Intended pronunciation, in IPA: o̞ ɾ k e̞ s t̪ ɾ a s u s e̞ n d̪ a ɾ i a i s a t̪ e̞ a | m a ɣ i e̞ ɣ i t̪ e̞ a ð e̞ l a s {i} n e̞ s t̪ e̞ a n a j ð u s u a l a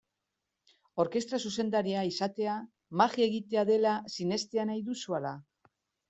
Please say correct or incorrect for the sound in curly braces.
correct